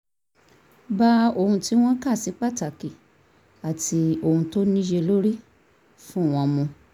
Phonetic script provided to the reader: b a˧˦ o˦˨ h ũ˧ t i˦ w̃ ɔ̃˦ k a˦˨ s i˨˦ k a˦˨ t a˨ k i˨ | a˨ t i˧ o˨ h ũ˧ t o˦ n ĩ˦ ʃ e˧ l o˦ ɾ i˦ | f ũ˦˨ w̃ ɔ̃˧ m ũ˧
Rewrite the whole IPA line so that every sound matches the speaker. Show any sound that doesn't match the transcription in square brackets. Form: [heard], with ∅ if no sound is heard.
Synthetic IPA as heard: b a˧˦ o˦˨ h ũ˧ t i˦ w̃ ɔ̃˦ k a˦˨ s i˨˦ [k͡p] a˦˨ t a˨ k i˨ | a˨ t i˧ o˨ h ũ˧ t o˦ n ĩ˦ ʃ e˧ l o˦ ɾ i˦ | f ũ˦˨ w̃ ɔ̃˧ m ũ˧